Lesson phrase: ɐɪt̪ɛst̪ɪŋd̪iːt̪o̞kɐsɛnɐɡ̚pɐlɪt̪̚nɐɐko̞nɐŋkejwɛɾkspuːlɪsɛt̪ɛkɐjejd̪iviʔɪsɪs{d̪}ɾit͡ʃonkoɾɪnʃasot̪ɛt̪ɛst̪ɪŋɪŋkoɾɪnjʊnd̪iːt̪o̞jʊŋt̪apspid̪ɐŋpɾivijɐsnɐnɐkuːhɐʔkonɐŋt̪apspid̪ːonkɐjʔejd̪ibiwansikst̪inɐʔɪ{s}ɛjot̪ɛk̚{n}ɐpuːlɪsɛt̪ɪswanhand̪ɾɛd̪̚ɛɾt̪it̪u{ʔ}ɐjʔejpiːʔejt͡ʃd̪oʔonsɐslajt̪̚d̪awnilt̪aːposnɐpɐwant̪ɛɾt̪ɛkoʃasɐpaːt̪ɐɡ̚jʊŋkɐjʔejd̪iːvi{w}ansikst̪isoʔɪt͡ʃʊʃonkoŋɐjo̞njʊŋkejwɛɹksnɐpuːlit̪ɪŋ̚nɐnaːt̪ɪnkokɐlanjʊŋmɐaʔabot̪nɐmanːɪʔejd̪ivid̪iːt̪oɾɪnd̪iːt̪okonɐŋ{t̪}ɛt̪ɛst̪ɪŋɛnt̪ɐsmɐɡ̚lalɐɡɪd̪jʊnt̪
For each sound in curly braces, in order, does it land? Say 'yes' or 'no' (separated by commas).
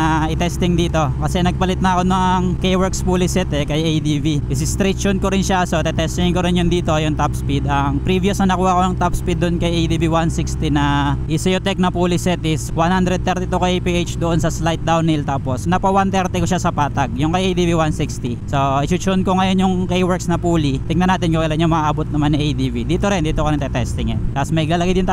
no, yes, yes, no, yes, yes